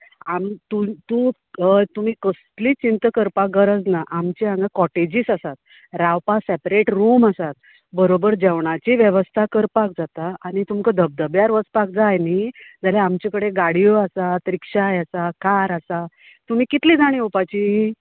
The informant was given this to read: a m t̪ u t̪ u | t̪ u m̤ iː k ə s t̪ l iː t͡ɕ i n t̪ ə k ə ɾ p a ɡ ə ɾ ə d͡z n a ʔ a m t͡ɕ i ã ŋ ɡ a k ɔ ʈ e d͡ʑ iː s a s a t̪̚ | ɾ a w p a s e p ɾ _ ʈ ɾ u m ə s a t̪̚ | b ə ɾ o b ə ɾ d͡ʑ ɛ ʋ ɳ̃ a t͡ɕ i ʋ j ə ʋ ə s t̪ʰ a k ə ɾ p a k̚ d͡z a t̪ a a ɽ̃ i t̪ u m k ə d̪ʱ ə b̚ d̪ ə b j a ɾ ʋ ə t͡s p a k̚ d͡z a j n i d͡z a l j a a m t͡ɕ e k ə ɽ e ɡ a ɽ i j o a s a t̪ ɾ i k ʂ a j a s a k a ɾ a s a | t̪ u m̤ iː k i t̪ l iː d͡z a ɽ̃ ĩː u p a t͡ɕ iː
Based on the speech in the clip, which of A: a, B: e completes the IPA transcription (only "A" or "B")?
B